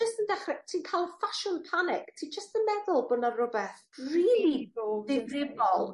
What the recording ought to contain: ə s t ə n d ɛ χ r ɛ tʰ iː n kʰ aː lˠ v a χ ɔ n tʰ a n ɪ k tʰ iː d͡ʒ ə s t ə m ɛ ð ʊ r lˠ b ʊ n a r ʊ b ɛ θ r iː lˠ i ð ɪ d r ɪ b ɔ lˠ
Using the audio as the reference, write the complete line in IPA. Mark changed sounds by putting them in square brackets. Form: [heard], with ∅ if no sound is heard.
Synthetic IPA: ə s t ə n d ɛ χ r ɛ tʰ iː n kʰ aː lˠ [f] a [ʃ] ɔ n [pʰ] a n ɪ k tʰ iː d͡ʒ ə s t ə m ɛ ð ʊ [∅] lˠ b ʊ n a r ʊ b ɛ θ r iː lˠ i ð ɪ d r ɪ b ɔ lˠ